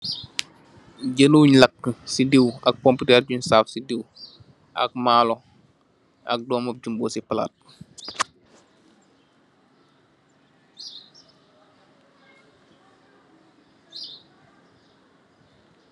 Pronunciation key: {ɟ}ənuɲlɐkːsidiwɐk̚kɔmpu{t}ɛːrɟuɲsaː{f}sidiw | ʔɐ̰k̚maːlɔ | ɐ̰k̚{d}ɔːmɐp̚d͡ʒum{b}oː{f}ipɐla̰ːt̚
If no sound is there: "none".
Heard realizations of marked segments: ɟ, t, f, d, b, s

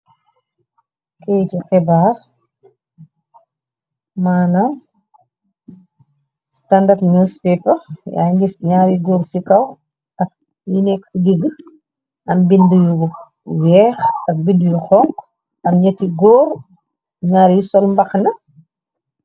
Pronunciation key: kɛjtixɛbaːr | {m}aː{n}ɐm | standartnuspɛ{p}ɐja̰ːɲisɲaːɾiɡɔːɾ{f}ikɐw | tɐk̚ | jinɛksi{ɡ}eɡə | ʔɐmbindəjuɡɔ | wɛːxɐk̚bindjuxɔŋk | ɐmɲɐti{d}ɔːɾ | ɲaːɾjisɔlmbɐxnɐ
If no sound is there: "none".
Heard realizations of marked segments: m, n, p, s, ɡ, ɡ

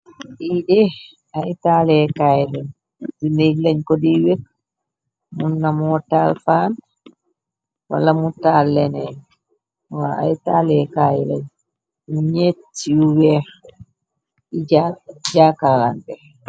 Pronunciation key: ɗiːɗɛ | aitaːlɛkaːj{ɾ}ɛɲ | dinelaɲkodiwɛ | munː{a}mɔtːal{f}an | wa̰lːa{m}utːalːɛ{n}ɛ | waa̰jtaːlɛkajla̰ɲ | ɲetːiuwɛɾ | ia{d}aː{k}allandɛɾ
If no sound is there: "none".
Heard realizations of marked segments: l, a, f, m, n, d͡ʒ, k

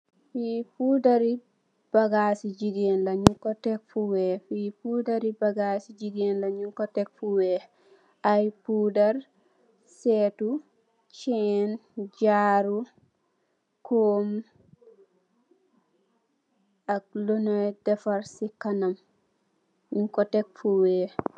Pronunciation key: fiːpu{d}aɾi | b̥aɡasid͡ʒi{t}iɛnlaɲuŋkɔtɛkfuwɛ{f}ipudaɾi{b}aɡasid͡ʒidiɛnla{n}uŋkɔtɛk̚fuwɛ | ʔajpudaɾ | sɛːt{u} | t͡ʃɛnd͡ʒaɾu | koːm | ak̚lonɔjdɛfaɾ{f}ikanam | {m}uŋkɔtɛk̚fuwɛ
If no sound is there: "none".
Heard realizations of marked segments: d, d, f, b, ɲ, u, s, ɲ

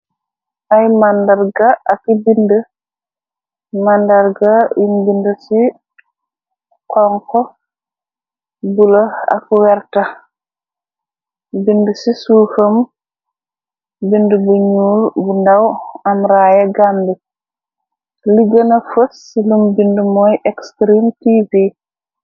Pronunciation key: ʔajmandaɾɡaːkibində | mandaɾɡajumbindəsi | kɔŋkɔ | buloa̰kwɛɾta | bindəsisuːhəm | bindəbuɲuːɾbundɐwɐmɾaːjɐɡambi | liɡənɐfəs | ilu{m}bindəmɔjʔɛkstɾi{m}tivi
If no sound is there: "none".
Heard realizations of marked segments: m, m

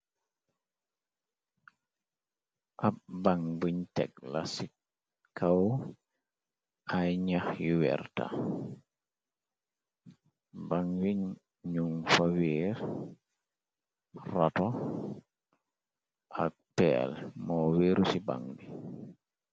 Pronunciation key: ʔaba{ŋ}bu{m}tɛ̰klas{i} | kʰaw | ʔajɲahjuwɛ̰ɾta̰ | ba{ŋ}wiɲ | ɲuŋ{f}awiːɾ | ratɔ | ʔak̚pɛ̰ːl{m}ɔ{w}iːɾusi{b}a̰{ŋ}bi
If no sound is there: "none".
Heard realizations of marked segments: ŋ, ɲ, i, ŋ, f, m, w, b, ŋ

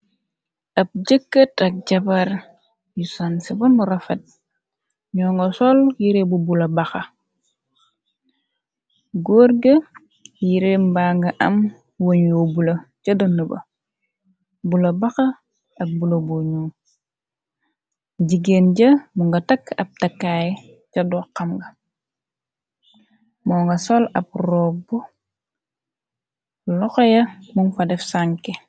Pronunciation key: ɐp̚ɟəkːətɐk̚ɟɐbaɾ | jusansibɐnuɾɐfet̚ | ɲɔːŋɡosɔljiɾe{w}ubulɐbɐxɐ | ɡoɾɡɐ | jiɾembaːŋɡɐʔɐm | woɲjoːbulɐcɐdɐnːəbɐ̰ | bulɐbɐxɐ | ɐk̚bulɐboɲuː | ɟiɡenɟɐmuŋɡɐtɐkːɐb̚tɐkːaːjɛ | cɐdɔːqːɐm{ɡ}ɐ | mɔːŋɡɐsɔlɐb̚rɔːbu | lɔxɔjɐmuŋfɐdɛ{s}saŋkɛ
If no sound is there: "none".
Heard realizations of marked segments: b, ɡ, f

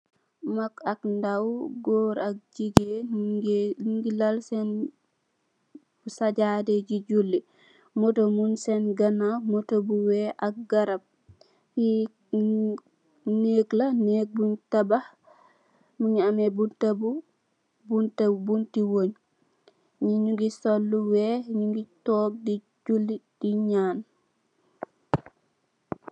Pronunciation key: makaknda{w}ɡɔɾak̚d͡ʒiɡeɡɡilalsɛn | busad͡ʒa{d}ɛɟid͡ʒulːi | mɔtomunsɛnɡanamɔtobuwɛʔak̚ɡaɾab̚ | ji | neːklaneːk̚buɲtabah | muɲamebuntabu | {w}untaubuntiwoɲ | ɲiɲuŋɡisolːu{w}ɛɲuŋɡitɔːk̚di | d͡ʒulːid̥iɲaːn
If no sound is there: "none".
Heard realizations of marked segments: w, d, b, w

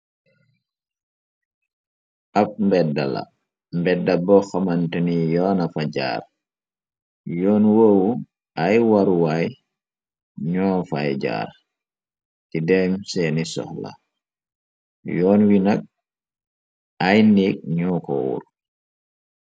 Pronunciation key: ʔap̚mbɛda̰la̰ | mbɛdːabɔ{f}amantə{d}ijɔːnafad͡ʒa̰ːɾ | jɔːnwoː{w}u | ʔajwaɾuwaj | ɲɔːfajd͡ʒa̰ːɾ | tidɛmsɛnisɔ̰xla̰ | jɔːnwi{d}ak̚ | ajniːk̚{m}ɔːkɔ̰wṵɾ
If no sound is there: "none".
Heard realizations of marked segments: x, n, w, n, ɲ

